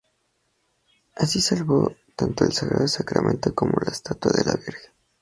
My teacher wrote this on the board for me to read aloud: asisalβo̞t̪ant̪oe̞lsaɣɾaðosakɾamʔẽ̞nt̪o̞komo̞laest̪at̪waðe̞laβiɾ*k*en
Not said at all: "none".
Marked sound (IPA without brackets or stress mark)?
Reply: x